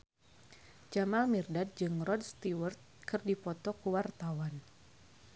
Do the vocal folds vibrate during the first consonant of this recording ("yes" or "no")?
yes